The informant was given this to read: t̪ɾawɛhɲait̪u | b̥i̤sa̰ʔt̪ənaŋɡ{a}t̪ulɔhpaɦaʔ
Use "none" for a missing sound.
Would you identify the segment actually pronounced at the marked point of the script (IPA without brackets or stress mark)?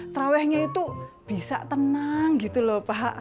i